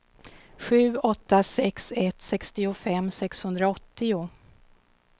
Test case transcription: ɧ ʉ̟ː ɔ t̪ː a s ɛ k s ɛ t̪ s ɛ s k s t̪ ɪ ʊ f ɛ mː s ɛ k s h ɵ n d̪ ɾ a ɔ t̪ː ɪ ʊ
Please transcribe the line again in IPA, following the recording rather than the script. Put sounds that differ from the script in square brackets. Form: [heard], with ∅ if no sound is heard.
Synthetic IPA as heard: ɧ ʉ̟ː ɔ t̪ː a s ɛ k s ɛ t̪ s ɛ [∅] k s t̪ ɪ ʊ f ɛ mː s ɛ k s h ɵ n d̪ ɾ a ɔ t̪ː ɪ ʊ